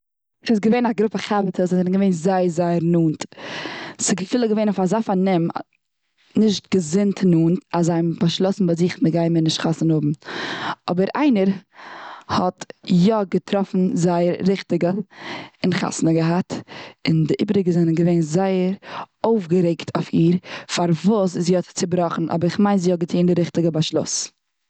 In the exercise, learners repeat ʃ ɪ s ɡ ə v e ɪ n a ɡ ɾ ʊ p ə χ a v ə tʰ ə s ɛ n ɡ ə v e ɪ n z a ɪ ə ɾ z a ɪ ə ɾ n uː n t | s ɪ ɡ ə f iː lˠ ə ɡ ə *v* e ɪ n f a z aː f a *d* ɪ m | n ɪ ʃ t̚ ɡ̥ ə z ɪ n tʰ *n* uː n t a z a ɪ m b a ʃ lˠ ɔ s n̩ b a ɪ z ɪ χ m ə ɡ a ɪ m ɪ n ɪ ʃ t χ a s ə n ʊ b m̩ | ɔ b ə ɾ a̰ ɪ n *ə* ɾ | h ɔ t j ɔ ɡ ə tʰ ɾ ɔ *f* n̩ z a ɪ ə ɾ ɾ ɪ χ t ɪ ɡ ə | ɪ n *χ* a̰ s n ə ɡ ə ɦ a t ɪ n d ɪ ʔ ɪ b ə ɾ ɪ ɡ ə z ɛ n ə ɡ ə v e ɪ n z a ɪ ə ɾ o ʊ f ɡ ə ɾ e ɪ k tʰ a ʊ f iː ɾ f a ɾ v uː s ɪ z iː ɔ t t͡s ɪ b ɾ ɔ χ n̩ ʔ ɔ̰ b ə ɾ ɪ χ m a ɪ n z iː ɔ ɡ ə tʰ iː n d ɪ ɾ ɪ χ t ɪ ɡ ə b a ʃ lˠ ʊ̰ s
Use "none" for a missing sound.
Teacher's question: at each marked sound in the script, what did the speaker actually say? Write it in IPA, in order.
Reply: v, n, n, ə, f, χ

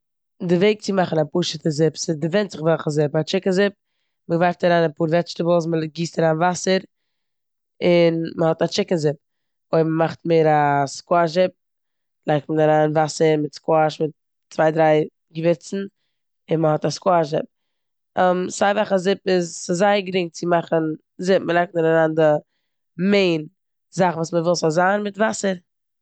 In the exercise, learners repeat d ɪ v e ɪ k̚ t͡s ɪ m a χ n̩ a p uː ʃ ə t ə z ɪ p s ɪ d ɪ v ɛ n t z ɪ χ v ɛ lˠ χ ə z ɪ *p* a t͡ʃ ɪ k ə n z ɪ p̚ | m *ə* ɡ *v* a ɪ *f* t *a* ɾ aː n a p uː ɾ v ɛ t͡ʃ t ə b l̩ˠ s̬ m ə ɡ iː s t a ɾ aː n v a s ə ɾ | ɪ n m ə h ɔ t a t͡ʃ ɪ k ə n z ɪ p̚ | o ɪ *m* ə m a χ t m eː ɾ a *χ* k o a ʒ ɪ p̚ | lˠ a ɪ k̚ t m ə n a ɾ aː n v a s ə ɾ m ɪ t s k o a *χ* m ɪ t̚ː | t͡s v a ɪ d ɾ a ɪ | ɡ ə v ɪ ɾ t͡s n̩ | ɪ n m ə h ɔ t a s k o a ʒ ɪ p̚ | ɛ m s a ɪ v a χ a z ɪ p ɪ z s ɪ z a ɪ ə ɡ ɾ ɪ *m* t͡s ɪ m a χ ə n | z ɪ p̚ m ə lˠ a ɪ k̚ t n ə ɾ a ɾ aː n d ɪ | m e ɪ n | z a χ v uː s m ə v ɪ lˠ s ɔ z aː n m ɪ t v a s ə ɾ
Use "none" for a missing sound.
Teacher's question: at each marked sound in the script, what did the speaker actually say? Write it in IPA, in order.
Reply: p, ə, v, f, a, m, s, ʃ, ŋ

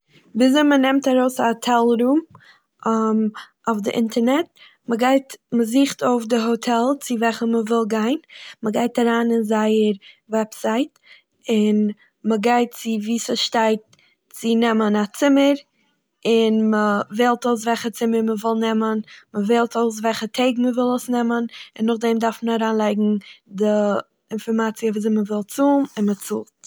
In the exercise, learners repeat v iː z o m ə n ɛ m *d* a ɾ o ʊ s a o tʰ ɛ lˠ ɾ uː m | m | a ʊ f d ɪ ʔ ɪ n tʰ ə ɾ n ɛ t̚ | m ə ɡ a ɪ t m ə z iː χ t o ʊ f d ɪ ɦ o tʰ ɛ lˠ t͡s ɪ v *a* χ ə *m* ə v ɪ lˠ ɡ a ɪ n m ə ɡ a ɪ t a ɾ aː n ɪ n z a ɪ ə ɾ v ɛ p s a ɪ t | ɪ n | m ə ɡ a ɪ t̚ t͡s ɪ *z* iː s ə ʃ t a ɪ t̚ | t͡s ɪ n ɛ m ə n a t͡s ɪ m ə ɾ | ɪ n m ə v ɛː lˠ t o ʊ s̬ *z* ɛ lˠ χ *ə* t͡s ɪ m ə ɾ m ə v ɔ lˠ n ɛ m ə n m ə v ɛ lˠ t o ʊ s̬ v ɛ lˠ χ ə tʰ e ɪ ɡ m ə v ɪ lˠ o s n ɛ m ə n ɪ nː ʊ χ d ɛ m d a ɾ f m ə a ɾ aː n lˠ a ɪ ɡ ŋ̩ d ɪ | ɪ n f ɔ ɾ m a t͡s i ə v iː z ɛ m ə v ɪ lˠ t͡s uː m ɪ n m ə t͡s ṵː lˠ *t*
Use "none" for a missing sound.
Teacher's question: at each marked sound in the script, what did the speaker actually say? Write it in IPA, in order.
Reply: t, ɛ, m, v, v, ə, t

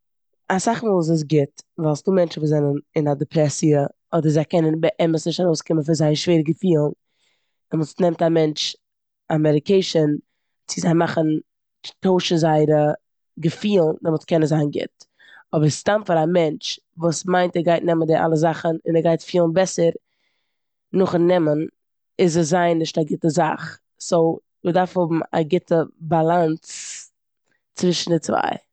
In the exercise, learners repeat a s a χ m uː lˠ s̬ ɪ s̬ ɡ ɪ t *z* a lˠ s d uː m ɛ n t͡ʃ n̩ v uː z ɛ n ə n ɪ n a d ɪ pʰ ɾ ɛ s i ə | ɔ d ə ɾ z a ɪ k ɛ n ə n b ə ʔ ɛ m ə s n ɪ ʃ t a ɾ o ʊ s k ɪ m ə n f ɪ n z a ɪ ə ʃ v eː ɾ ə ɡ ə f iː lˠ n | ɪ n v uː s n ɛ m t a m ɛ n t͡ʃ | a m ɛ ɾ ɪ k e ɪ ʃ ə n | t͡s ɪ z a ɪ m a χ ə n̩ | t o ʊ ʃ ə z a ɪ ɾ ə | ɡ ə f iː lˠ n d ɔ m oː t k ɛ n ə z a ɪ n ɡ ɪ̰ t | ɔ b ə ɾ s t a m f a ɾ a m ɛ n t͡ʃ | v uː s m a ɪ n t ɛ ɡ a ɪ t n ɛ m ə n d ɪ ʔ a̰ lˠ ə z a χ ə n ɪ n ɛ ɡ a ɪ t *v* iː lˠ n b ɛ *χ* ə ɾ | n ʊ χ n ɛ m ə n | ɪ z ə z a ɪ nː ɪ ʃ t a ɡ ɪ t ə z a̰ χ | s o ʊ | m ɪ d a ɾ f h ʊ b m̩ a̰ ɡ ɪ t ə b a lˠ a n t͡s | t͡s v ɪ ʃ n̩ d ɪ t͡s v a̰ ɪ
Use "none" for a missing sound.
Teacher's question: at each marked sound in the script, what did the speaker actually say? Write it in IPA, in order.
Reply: v, f, s

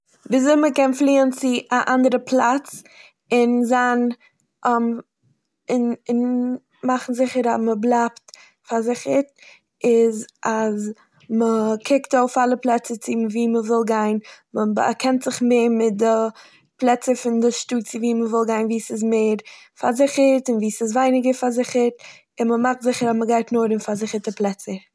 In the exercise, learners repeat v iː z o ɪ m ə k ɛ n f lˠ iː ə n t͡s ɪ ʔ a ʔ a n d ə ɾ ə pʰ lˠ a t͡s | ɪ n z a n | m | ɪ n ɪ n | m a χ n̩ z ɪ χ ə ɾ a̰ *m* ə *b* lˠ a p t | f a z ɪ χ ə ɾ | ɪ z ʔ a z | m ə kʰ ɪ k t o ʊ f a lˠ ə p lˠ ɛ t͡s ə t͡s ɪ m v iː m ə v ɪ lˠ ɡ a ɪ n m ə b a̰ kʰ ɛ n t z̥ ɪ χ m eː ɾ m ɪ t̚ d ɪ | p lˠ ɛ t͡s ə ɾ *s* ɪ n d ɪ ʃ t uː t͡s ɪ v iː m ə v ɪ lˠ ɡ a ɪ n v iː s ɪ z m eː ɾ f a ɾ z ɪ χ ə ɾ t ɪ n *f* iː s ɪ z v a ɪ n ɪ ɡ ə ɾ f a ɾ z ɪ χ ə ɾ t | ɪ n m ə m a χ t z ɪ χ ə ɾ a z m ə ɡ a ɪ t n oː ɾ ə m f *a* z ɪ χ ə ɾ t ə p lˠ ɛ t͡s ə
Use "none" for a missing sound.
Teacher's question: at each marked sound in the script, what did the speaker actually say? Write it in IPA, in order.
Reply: m, b, f, v, a

